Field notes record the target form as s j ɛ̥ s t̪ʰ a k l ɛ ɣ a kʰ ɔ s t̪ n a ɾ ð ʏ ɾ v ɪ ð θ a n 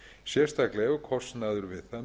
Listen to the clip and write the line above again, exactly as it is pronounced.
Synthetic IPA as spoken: s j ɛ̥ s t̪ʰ a k l ɛ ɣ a kʰ ɔ s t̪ n a ð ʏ ɾ v ɪ ð θ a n